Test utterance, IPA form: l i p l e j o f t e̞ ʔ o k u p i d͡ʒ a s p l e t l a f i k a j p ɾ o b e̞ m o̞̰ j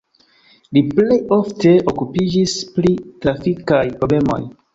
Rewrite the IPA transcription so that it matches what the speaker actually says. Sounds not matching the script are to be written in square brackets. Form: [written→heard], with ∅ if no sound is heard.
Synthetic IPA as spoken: l i p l e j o f t e̞ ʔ o k u p i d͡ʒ [a→i] s p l [e→i] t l a f i k a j p ɾ o b e̞ m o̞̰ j